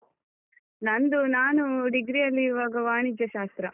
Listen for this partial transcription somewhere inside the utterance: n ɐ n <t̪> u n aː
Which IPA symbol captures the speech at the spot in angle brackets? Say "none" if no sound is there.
d̪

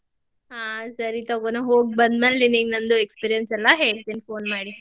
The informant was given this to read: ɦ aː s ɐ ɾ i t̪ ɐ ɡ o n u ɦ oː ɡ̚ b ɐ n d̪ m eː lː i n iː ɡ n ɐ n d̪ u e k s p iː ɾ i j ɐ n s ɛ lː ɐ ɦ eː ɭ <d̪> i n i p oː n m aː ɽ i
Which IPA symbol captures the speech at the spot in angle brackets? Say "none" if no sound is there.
t̪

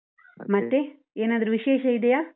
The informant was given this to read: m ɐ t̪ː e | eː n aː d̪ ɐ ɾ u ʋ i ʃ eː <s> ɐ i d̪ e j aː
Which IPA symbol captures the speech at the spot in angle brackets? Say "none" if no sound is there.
ʃ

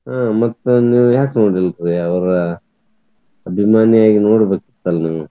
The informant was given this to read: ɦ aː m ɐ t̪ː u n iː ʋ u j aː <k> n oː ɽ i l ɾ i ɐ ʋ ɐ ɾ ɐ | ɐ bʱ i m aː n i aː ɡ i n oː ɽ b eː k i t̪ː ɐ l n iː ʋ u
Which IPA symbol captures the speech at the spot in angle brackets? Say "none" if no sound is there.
k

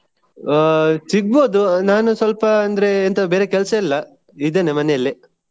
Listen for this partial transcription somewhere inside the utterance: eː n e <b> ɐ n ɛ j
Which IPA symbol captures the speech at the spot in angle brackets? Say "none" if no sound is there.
m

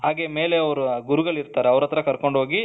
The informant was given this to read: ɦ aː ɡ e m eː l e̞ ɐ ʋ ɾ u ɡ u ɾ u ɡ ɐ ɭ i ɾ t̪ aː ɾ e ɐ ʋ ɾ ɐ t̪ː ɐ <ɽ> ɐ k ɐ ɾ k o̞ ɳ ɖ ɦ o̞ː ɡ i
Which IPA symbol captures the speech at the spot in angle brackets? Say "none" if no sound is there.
ɾ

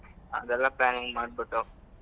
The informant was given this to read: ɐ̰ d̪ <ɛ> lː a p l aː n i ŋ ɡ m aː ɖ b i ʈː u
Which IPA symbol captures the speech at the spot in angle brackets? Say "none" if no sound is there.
ɛ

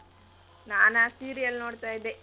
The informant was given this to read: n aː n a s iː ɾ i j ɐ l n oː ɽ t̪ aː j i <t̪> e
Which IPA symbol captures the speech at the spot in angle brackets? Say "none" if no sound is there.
d̪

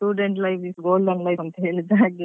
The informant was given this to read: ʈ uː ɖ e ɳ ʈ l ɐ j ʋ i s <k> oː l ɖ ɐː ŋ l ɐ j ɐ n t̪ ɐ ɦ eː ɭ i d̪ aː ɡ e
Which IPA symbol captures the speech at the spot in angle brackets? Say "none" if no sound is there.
ɡ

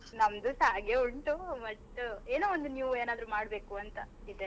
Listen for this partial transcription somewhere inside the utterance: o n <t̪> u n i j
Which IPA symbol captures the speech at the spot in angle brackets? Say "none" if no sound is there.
d̪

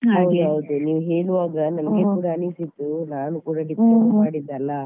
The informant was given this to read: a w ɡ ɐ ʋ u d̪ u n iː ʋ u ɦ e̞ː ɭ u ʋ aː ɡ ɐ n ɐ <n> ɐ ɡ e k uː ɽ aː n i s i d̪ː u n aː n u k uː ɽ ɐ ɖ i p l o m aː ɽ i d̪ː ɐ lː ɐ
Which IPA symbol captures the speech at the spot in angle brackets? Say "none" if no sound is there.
m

